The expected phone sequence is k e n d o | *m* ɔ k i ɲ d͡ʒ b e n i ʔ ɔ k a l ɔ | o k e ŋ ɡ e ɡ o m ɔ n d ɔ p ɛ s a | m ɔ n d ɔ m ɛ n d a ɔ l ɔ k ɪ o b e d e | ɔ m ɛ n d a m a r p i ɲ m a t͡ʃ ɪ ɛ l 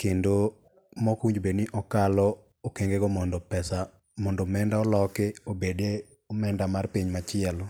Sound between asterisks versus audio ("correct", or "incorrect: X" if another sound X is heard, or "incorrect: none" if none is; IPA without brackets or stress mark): correct